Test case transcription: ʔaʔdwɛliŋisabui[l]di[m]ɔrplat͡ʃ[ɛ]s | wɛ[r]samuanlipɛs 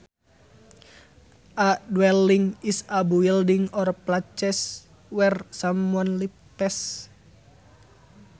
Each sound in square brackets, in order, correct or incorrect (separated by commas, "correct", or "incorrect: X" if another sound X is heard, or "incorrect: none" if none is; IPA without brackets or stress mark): correct, incorrect: ŋ, correct, correct